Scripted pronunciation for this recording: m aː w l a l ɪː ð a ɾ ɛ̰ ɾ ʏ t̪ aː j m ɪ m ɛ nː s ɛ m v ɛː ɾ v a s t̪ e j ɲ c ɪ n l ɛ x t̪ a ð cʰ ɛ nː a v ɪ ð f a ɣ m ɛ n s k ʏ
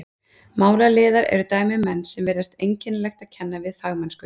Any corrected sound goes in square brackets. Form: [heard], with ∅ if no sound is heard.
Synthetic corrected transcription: m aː w l a l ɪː ð a ɾ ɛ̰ ɾ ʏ t̪ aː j m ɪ m ɛ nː s ɛ m v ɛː ɾ [ð] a s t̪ e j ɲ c ɪ n l ɛ x t̪ a ð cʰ ɛ nː a v ɪ ð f a ɣ m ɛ n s k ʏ

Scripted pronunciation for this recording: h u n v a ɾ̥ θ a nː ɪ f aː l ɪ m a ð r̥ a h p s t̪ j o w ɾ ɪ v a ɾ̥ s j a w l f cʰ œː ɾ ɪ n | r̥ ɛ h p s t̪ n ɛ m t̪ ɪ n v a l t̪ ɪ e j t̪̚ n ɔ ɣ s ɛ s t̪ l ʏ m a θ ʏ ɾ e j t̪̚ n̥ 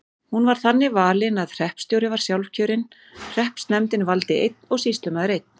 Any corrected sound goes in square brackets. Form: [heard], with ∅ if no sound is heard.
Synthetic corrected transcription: h u n v a ɾ̥ θ a nː ɪ [v] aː l ɪ [n] a ð r̥ [ɛ] h p s t̪ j o w ɾ ɪ v a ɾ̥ s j a w l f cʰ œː ɾ ɪ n | r̥ ɛ h p s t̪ n ɛ m t̪ ɪ n v a l t̪ ɪ e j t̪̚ n ɔ ɣ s [i] s t̪ l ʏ m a [ð] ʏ ɾ e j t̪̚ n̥

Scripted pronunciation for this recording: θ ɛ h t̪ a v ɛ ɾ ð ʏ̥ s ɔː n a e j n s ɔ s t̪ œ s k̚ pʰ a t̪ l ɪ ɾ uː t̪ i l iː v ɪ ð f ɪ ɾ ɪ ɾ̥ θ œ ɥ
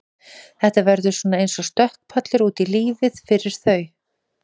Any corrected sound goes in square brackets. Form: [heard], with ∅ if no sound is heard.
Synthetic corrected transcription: θ ɛ h t̪ a v ɛ ɾ ð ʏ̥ s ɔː n a e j n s ɔ s t̪ œ [h] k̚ pʰ a t̪ l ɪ ɾ uː t̪ i l iː v ɪ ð f ɪ ɾ ɪ ɾ̥ θ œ ɥ

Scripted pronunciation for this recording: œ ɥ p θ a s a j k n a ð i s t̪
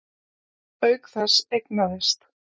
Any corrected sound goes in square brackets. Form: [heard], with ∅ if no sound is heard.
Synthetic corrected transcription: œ ɥ [k] θ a s [e] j k n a ð [ɪ] s t̪

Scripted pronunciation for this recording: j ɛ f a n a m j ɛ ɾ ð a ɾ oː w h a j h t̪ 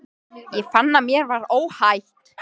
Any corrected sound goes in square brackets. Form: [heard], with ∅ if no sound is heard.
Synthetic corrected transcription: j ɛ f a [nː] a m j ɛ ɾ [v] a ɾ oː w h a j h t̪

